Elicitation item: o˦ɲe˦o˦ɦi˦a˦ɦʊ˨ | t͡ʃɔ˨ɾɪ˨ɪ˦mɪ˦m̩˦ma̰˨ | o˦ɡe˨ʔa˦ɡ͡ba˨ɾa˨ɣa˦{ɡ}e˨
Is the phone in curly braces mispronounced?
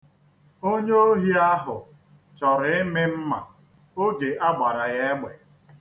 yes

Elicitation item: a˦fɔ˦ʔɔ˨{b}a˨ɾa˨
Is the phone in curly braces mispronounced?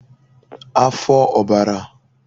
no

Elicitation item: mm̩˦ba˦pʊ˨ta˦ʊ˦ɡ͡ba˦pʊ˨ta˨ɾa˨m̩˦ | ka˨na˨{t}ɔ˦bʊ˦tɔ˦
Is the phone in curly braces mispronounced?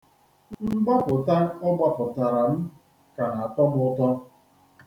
no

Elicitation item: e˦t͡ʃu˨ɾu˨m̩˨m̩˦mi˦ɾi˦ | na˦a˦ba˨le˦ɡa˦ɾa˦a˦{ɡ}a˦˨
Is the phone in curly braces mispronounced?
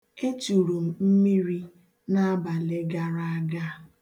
no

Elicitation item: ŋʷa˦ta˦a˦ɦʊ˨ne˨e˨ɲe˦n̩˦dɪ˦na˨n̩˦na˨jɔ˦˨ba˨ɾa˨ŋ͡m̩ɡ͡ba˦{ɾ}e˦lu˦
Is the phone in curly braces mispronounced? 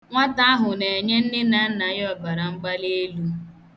yes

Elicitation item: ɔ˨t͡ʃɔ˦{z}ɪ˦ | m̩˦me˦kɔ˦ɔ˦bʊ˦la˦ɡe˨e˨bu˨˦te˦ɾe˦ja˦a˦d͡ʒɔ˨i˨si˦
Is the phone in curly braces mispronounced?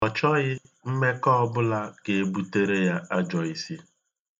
yes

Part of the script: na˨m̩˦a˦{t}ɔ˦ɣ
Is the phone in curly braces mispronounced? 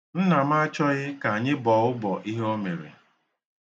yes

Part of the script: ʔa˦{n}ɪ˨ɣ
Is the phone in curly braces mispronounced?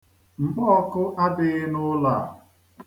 yes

